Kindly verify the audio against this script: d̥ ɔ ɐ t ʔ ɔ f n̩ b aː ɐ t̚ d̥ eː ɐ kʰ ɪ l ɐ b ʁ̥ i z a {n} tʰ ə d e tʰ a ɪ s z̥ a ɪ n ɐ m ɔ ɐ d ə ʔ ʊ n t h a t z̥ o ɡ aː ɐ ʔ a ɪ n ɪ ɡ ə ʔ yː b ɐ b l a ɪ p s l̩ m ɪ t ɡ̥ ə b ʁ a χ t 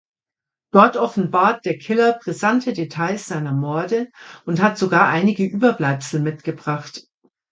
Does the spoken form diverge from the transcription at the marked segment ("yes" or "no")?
no